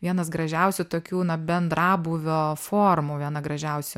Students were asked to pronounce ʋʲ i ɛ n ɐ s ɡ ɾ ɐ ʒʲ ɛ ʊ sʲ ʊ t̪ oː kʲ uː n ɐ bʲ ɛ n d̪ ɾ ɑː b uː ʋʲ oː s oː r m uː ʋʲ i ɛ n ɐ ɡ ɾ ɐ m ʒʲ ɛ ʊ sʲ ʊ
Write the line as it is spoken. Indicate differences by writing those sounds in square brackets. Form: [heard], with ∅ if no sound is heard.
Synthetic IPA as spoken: ʋʲ i ɛ n ɐ s ɡ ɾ ɐ ʒʲ ɛ ʊ sʲ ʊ t̪ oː kʲ uː n ɐ bʲ ɛ n d̪ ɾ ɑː b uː ʋʲ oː [f] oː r m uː ʋʲ i ɛ n ɐ ɡ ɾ ɐ [∅] ʒʲ ɛ ʊ sʲ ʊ